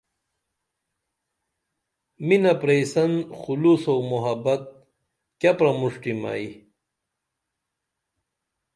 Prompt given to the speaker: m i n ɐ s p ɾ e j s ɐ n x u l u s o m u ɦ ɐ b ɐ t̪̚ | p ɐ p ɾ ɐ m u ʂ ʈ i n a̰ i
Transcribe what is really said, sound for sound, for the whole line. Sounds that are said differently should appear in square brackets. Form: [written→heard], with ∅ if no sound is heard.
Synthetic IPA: m i n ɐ [s→∅] p ɾ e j s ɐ n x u l u s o m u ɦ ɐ b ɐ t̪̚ | [p→k] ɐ p ɾ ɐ m u ʂ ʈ i [n→m] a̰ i